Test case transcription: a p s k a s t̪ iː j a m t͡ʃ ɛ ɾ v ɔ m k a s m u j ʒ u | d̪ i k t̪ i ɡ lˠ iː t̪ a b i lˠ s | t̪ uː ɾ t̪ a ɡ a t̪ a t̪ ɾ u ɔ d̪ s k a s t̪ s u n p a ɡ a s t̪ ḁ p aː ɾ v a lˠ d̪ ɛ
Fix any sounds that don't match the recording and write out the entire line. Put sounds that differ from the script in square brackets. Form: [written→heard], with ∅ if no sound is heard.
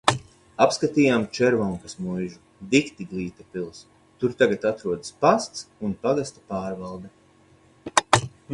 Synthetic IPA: a p s k a [s→∅] t̪ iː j a m t͡ʃ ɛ ɾ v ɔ [m→ŋ] k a s m u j ʒ u | d̪ i k t̪ i ɡ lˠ iː t̪ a [b→p] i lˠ s | t̪ [uː→u] ɾ t̪ a ɡ a t̪ a t̪ ɾ u ɔ d̪ s [k→p] a s t̪ s u n p a ɡ a s t̪ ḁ p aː ɾ v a lˠ d̪ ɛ

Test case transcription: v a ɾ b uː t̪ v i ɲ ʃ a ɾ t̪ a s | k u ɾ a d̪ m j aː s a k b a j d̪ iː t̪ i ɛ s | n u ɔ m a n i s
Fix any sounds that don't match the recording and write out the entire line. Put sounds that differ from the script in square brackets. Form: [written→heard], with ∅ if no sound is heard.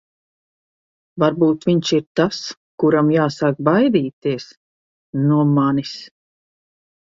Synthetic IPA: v a ɾ b uː t̪ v i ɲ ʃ [a→i] ɾ t̪ a s | k u ɾ a [d̪→∅] m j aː s a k b a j d̪ iː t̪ i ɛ s | n u ɔ m a n i s

